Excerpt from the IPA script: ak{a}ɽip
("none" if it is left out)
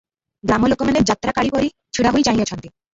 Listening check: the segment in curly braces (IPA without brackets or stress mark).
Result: a